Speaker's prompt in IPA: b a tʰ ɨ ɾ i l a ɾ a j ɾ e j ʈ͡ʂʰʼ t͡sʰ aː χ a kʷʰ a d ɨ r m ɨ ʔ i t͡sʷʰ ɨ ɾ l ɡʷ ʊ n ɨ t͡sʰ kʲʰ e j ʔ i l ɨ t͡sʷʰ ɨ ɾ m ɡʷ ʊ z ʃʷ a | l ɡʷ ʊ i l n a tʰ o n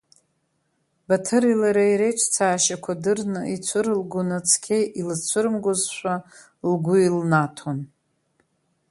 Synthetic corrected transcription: b a tʰ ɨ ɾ i l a ɾ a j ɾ e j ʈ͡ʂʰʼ t͡sʰ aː ʃ a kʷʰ a d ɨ r n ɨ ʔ i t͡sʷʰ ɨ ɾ l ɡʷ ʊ n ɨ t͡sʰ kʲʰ e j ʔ i l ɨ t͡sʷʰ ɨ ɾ m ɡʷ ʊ z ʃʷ a | l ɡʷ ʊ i l n a tʰ o n